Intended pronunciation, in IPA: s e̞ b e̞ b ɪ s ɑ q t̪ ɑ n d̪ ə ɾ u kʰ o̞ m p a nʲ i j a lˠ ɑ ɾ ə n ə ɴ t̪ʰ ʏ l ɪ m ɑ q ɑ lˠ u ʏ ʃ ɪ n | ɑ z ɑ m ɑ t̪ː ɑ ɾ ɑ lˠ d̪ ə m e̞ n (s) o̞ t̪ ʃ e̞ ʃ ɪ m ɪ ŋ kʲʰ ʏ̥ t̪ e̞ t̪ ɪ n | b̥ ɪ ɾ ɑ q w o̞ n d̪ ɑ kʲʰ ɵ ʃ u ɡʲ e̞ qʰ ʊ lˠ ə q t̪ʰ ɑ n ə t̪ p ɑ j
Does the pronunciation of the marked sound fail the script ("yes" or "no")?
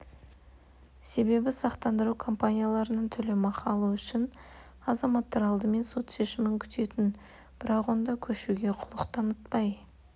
no